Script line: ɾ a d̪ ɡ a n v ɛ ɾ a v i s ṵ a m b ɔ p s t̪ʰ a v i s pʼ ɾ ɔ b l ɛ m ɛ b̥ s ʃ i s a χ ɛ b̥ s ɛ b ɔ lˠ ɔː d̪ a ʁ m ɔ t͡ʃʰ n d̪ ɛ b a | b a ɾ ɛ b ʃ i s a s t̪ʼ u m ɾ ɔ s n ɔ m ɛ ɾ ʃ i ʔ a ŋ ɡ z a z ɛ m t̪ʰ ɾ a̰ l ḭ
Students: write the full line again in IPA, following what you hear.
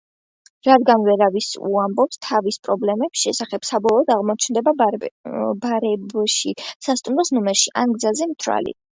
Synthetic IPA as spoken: ɾ a d̪ ɡ a n v ɛ ɾ a v i s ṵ a m b ɔ p s t̪ʰ a v i s pʼ ɾ ɔ b l ɛ m ɛ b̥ s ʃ ɛ s a χ ɛ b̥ s a b ɔ lˠ ɔː d̪ a ʁ m ɔ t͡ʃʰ n d̪ ɛ b a | b a ɾ ɛ b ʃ i s a s t̪ʼ u m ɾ ɔ s n ɔ m ɛ ɾ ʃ i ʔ a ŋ ɡ z a z ɛ m t̪ʰ ɾ a̰ l ḭ